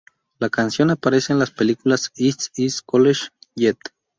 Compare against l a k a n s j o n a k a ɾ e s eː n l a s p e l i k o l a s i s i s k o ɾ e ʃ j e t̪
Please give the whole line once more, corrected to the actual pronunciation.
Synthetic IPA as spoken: l a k a n s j o n a p a ɾ e s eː n l a s p e l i k u l a s i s i s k o l e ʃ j e t̪